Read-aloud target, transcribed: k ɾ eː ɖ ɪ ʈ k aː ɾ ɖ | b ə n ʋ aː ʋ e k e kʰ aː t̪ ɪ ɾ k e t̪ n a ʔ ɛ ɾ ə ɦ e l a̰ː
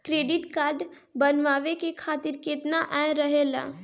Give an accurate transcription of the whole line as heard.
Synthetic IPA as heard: k ɾ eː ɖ ɪ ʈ k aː ɾ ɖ | b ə n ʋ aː ʋ e k e kʰ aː t̪ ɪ ɾ k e t̪ n a ʔ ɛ ɾ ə ɦ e l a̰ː

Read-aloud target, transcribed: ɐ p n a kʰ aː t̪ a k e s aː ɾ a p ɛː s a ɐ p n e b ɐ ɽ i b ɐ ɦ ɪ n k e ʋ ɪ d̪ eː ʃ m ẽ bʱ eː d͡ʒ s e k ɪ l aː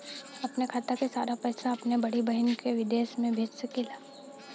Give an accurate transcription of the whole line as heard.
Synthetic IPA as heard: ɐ p n e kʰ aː t̪ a k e s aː ɾ a p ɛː s a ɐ p n e b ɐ ɽ i b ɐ ɦ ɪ n k e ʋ ɪ d̪ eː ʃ m ẽ bʱ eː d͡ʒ s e k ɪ l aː

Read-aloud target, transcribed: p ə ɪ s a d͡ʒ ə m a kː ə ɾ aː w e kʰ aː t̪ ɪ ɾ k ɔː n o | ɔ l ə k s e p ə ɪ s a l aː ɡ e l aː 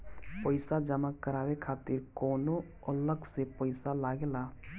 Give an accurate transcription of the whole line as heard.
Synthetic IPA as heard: p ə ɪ s a d͡ʒ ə m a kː ə ɾ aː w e kʰ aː t̪ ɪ ɾ k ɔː n o | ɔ l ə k s e p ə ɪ s a l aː ɡ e l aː

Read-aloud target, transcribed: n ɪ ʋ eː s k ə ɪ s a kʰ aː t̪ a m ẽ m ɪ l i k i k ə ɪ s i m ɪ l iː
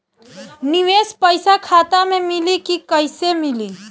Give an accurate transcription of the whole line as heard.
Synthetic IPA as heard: n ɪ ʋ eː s p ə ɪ s a kʰ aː t̪ a m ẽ m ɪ l i k i k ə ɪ s e m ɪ l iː

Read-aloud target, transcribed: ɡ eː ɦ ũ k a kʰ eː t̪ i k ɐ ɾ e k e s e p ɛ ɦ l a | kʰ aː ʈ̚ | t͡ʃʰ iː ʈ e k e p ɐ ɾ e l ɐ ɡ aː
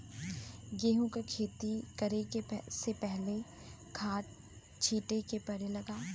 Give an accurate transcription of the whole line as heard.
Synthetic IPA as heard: ɡ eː ɦ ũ k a kʰ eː t̪ i k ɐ ɾ e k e s e p ɛ ɦ l e | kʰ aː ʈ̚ | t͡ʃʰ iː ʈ e k e p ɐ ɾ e l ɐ ɡ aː

